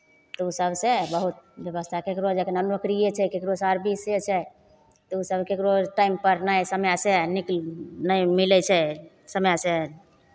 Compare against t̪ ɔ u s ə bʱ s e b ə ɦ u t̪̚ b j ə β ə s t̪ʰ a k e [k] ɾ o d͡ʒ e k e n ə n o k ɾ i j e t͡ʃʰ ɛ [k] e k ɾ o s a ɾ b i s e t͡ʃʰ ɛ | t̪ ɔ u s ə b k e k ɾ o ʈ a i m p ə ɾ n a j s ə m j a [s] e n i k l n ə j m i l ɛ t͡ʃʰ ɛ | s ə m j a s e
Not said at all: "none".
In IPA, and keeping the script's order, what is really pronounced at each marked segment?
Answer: k, k, s

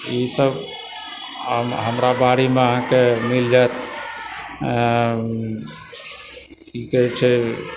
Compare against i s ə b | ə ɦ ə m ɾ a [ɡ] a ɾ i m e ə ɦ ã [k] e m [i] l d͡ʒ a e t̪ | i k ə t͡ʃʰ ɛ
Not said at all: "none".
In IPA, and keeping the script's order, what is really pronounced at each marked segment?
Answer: b, k, i

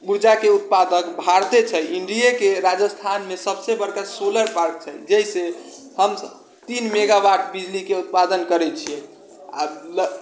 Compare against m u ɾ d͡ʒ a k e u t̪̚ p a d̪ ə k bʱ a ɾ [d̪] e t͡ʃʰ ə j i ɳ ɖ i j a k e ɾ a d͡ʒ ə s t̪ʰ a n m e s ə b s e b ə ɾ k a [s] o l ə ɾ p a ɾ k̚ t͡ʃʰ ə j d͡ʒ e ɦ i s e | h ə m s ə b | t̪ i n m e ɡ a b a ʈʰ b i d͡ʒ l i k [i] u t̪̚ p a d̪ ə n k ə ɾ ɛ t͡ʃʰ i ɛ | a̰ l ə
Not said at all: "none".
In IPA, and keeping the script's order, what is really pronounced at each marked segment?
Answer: t̪, s, e

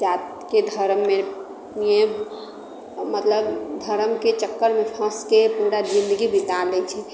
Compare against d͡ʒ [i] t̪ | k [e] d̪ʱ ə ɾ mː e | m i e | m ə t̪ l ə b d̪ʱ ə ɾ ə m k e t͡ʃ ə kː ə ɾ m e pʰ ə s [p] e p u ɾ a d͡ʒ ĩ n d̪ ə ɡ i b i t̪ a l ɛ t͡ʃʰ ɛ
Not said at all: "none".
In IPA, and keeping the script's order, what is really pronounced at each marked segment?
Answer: a, e, k

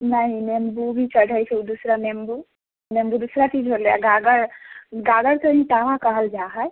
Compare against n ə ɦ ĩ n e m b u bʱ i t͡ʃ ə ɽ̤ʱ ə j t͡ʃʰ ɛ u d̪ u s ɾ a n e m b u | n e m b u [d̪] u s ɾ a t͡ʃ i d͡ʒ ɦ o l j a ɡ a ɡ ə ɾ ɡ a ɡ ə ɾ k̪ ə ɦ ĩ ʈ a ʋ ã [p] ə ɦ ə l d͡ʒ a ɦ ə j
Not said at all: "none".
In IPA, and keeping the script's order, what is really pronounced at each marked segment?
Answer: d̪, k

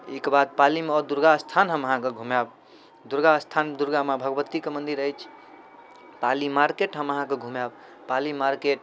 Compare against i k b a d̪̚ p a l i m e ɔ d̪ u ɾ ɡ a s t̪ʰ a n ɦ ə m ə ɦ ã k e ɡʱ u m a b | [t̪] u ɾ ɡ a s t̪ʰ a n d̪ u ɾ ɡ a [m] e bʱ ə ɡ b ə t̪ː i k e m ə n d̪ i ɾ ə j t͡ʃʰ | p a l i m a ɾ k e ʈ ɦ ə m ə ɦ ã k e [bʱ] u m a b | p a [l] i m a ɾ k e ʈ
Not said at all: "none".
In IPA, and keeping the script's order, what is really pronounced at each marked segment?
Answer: d̪, m, ɡʱ, l

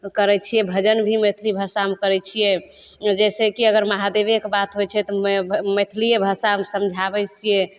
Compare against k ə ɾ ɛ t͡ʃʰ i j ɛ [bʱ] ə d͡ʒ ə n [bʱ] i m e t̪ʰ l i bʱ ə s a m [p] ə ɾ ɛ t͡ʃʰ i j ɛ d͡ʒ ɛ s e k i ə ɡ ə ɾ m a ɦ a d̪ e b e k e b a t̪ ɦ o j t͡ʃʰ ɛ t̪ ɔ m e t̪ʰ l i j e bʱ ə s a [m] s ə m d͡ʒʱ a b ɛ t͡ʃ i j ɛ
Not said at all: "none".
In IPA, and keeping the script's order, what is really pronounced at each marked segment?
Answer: bʱ, bʱ, k, m

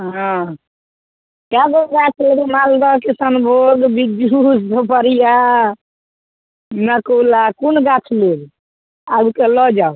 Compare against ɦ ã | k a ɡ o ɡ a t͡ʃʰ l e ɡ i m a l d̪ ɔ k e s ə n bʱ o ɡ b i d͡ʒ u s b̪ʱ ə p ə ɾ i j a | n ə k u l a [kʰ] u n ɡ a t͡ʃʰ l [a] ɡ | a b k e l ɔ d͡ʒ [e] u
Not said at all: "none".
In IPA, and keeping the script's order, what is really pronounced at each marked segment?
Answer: k, e, a

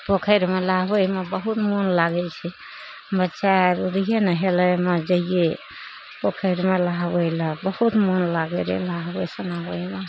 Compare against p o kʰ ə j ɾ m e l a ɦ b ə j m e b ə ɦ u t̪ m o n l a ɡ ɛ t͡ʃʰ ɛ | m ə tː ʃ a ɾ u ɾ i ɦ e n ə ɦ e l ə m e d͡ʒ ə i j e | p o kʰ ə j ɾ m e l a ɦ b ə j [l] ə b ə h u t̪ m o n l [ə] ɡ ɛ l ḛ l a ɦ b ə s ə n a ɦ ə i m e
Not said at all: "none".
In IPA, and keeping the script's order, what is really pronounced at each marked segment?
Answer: l, a

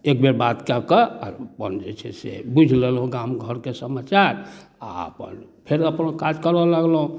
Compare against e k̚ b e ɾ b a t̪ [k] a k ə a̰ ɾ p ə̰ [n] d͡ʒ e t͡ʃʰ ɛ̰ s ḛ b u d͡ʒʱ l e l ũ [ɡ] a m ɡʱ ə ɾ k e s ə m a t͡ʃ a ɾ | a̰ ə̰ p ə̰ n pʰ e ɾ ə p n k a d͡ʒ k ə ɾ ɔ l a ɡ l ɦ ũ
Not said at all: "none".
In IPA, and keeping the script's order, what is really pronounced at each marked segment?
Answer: k, n, ɡ

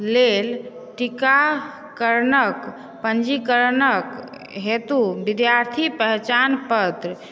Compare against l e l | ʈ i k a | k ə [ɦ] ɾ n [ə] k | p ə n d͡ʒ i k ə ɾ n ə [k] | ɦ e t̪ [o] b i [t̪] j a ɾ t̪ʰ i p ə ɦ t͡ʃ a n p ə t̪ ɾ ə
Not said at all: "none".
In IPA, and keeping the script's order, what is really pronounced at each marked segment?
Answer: none, ə, k, u, d̪

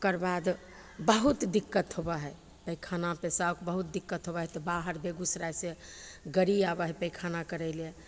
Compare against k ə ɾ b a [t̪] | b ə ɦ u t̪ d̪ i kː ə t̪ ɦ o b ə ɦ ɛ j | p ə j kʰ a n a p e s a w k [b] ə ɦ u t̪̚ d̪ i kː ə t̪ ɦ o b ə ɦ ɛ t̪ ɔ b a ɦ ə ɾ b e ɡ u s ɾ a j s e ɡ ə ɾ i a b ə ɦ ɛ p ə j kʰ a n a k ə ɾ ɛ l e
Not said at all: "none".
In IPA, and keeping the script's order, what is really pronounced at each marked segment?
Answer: d̪, b

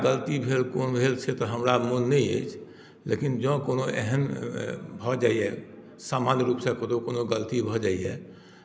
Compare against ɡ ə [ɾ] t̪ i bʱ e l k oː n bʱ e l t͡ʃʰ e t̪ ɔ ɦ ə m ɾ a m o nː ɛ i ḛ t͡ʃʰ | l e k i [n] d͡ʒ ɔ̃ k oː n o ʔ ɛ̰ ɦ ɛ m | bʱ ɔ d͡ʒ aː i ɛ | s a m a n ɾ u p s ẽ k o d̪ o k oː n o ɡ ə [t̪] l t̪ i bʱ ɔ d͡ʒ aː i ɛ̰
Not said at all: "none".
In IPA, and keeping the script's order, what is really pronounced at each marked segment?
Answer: l, n, none

